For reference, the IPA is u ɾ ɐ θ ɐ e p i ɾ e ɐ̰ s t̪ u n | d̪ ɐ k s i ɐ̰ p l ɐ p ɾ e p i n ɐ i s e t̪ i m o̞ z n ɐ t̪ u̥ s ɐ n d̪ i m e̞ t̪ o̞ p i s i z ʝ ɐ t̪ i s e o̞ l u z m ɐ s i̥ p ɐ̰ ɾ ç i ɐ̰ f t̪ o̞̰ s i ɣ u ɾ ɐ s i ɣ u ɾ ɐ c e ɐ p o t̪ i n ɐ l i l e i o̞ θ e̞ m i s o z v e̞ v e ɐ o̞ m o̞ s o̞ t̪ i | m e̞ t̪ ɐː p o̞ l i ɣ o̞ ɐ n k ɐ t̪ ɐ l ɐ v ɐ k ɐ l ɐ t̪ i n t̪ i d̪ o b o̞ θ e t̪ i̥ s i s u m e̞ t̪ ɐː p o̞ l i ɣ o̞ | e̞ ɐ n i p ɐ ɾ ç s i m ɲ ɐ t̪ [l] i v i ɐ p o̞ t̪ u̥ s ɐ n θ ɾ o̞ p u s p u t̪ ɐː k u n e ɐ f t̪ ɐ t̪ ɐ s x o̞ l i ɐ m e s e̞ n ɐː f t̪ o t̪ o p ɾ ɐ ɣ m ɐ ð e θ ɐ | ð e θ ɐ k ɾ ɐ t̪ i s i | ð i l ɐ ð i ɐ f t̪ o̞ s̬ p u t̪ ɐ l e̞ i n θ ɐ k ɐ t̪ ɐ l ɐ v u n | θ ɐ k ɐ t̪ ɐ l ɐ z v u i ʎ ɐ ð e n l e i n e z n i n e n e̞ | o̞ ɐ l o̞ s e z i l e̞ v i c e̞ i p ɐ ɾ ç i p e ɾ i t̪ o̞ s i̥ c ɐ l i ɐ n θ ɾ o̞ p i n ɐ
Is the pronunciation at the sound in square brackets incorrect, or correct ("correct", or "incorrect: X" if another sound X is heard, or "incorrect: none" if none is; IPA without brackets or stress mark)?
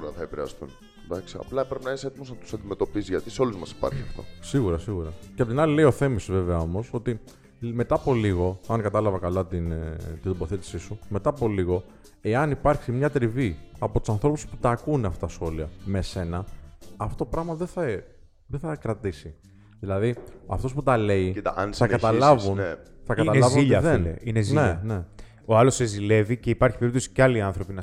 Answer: incorrect: ɾ